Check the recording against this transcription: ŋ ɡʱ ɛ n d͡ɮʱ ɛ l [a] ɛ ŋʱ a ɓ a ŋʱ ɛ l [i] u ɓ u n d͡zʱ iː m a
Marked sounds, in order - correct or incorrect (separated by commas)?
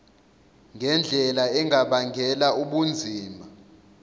correct, incorrect